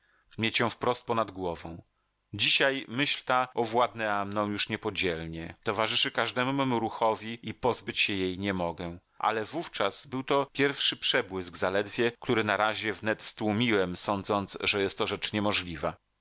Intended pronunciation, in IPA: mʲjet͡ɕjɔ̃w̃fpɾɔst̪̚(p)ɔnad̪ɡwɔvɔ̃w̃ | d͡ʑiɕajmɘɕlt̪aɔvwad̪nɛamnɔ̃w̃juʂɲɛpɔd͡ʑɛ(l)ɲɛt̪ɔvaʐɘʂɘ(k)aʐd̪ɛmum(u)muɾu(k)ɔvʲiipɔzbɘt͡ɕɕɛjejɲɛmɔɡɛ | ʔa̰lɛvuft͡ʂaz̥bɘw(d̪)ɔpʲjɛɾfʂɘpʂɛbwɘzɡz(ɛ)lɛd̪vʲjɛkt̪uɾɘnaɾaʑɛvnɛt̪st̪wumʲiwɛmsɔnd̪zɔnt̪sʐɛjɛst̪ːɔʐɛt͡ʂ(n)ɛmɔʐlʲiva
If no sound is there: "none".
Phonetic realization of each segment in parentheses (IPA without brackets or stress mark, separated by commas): p, l, k, u, x, t̪, a, ɲ